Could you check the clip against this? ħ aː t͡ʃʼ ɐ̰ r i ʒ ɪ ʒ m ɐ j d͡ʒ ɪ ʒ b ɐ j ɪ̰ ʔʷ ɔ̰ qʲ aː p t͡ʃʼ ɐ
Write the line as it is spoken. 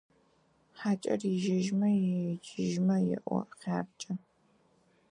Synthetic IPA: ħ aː t͡ʃʼ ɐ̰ r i ʒ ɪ ʒ m ɐ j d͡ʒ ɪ ʒ m ɐ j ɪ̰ ʔʷ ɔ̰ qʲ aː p t͡ʃʼ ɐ